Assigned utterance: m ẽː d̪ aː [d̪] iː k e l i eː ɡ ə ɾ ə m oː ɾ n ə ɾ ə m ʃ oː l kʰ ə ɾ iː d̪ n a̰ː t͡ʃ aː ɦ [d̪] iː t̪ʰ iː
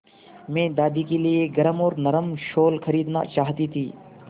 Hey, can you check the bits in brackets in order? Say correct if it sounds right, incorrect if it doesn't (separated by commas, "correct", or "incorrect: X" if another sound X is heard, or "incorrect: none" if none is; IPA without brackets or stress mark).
correct, incorrect: t̪